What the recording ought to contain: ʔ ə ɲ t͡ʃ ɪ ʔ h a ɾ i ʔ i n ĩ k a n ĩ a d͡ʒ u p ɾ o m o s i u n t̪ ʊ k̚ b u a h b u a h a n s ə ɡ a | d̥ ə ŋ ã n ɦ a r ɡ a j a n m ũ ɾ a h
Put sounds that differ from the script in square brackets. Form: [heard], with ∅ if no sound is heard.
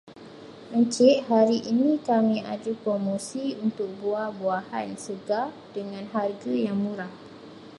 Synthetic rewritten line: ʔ ə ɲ t͡ʃ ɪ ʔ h a ɾ i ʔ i n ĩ k a [m] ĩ a d͡ʒ u p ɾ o m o s i u n t̪ ʊ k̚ b u a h b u a h a n s ə ɡ a | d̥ ə ŋ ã n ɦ a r ɡ a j a [ŋ] m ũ ɾ a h